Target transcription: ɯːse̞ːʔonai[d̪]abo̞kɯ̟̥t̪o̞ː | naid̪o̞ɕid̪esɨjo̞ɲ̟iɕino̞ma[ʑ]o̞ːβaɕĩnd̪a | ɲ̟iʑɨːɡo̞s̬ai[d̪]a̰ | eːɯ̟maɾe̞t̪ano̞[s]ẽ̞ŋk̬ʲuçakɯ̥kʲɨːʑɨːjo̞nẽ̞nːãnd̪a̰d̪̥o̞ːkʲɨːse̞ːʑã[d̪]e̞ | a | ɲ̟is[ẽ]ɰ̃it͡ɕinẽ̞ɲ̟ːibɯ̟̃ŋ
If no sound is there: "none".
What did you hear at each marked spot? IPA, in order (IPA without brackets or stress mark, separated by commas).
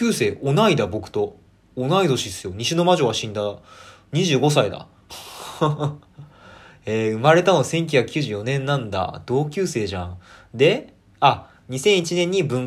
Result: d̪, ʑ, d̪, s, d̪, ẽ